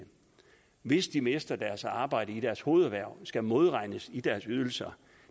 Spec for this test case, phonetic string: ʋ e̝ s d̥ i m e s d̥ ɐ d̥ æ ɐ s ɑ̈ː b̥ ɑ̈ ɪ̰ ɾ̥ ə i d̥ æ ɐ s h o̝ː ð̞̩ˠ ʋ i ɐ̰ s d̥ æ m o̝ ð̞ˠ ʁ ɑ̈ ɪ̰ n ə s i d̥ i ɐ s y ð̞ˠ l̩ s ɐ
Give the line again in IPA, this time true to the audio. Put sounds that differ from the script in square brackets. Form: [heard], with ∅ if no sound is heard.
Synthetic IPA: ʋ e̝ s d̥ i m e s d̥ ɐ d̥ æ ɐ s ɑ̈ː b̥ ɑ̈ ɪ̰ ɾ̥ ə i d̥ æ ɐ s h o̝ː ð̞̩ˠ ʋ [æ] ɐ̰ s [ɡ̥] æ m o̝ ð̞ˠ ʁ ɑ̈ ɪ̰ n ə s i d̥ [æ] ɐ s y ð̞ˠ l̩ s ɐ